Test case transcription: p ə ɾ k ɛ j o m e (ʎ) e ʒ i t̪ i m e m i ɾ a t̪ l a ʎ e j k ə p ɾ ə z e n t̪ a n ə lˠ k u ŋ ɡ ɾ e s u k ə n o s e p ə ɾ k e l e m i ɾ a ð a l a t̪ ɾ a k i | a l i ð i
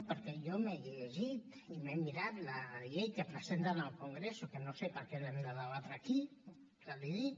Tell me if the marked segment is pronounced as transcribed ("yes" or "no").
yes